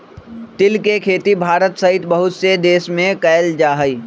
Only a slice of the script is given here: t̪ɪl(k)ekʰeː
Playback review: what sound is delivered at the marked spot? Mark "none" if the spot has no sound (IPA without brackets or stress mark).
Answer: k